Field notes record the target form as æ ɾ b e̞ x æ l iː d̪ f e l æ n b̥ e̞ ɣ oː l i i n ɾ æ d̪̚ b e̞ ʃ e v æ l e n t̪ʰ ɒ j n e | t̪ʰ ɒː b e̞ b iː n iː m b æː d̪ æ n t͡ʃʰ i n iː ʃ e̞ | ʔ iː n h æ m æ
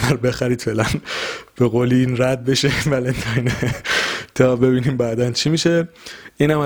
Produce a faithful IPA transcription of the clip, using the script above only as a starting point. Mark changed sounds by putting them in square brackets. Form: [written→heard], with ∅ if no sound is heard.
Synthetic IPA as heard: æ ɾ b e̞ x æ [l→ɾ] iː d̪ f e l æ n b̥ e̞ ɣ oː l i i n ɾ æ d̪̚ b e̞ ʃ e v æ l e n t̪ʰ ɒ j n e | t̪ʰ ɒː b e̞ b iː n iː m b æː d̪ æ n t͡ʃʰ i [n→m] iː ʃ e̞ | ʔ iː n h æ m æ